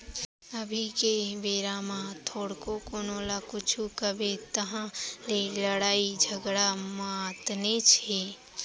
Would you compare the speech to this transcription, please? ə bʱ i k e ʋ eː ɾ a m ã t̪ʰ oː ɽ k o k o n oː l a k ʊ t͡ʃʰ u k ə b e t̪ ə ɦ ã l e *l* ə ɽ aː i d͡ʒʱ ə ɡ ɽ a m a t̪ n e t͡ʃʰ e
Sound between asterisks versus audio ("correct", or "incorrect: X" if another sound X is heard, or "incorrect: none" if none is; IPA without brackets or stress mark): correct